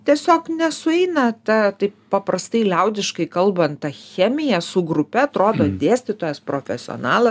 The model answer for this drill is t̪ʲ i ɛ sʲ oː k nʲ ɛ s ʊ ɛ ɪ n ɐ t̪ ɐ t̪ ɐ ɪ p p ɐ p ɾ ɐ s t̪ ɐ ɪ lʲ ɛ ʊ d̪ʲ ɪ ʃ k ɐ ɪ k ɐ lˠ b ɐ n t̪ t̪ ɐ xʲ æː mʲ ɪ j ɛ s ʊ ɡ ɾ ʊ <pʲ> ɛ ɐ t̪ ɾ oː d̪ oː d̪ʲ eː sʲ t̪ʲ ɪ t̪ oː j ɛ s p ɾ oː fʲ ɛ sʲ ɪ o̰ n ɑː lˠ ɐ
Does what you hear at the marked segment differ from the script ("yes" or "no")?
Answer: no